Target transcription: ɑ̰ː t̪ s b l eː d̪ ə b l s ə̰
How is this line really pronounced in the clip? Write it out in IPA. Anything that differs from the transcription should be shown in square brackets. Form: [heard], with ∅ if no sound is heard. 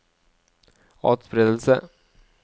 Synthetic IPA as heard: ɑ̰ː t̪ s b [ɾ] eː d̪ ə [∅] l s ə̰